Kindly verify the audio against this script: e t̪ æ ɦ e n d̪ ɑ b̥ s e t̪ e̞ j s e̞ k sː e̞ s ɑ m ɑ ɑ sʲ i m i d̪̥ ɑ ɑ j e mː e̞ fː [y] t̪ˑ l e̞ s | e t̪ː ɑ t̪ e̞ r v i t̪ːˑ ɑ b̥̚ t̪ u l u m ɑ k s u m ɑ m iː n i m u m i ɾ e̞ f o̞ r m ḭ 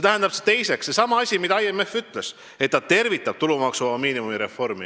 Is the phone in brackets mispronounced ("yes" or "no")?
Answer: no